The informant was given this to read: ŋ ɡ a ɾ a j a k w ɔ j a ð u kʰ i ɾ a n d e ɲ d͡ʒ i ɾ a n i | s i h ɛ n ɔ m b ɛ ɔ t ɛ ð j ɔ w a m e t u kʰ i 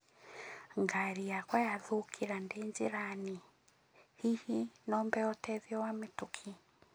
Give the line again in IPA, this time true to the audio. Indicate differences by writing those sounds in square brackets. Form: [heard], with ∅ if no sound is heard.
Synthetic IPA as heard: ŋ ɡ a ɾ [i] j a k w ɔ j a ð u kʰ i ɾ a n d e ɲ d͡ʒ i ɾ a n i | [h] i h [i] n ɔ m b ɛ ɔ t ɛ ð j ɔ w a m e t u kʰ i